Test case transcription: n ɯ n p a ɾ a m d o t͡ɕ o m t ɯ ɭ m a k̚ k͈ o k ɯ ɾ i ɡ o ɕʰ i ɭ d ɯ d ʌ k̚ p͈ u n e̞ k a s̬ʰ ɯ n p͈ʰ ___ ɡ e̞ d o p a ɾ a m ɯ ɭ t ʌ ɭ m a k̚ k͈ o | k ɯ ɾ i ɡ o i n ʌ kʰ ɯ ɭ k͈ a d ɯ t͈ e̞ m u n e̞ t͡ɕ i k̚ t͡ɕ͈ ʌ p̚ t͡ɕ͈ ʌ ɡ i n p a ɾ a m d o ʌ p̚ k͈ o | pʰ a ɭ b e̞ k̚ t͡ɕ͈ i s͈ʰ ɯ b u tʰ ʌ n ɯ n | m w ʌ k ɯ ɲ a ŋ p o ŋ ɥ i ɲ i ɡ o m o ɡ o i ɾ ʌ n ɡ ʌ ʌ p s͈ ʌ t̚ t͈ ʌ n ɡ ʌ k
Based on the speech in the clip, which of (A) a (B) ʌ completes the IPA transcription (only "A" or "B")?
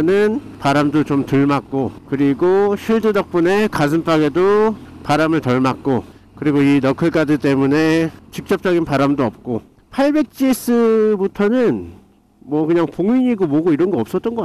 A